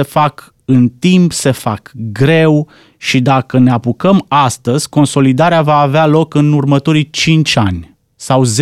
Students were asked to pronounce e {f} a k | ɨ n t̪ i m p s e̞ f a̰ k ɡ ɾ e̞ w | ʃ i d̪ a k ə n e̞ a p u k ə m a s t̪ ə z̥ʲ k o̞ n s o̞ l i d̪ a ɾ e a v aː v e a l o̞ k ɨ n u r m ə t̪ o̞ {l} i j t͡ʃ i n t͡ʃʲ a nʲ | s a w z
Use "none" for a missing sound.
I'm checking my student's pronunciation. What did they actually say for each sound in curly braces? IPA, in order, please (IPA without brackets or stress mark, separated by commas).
f, ɾ